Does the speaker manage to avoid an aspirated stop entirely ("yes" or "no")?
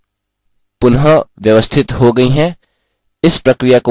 no